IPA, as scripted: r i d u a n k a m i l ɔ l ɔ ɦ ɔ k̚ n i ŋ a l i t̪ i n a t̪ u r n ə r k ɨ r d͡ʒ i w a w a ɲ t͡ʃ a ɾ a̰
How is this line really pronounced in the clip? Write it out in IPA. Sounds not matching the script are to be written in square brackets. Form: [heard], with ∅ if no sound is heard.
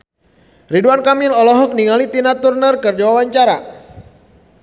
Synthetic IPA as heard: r i d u a n k a m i l ɔ l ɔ ɦ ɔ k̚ n i ŋ a l i t̪ i n a t̪ u r n ə r k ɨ r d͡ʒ [a] w a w a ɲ t͡ʃ a ɾ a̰